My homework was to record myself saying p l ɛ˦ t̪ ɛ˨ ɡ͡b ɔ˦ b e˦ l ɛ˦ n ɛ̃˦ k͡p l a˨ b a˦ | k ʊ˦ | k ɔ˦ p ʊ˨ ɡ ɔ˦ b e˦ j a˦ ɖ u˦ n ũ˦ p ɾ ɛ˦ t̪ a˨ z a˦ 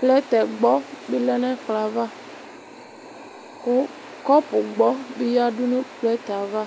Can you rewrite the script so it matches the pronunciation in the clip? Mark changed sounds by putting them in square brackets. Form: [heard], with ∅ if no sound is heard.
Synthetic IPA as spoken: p l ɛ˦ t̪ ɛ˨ ɡ͡b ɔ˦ b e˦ l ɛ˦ n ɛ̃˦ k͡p l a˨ [v] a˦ | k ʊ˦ | k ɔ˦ p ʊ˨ [ɡ͡b] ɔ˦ b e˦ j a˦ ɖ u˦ n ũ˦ p [l] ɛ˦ t̪ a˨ [v] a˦